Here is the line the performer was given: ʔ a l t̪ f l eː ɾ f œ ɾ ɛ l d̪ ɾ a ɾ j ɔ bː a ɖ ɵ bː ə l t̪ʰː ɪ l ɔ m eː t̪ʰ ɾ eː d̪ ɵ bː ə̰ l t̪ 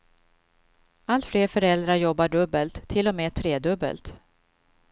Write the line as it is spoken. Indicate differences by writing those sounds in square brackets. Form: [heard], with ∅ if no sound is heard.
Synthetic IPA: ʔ a l t̪ f l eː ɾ f œ ɾ ɛ l d̪ ɾ a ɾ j ɔ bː a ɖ ɵ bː ə l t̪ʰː ɪ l ɔ m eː t̪ʰ ɾ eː d̪ ɵ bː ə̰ l t̪